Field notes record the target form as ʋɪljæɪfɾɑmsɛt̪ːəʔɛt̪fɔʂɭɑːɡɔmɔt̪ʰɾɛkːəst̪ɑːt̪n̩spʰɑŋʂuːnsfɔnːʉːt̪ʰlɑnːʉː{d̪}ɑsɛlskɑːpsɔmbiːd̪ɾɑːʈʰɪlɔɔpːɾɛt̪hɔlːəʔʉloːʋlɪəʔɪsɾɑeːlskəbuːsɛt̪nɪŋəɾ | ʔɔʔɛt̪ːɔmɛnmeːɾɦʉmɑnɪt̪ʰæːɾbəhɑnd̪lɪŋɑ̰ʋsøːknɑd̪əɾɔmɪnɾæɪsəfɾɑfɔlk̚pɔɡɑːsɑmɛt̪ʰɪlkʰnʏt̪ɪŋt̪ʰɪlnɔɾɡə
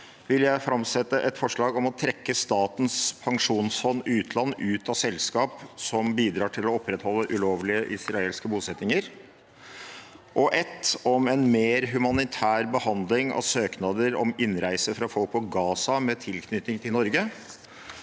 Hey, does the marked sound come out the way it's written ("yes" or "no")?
no